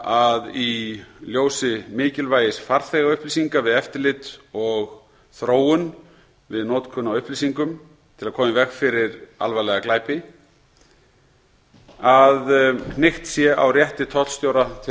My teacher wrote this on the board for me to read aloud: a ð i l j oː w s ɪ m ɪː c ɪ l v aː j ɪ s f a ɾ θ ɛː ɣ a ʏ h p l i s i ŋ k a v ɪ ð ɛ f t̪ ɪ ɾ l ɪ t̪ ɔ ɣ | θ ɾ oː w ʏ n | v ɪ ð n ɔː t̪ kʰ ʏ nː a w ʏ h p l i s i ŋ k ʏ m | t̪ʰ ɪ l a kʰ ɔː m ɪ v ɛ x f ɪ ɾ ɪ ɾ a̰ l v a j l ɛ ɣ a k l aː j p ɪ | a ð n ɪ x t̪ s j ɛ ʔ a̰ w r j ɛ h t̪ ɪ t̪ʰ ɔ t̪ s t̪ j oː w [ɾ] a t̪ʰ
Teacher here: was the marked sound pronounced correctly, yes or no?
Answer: yes